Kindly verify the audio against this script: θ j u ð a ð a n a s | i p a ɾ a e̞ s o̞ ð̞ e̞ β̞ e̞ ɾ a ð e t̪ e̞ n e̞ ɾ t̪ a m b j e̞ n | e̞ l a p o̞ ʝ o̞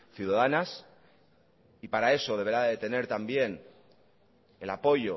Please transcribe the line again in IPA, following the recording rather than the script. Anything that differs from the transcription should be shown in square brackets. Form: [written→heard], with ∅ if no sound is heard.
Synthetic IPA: θ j u ð a ð a n a s | i p a ɾ a e̞ s o̞ ð̞ e̞ β̞ e̞ ɾ a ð e t̪ e̞ n e̞ ɾ t̪ a m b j e̞ n | e̞ l a p o̞ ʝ o̞